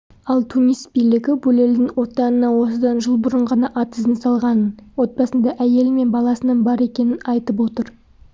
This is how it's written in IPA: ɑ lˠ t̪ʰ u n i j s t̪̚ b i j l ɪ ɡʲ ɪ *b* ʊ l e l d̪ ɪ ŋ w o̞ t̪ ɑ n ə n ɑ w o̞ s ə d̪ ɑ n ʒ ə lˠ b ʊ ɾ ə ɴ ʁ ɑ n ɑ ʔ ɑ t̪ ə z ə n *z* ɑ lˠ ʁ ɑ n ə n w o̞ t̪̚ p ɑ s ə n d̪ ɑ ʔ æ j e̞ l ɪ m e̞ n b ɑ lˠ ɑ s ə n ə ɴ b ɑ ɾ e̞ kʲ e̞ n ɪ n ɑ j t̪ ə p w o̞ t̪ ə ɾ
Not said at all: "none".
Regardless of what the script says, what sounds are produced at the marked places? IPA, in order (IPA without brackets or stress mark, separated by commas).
b, s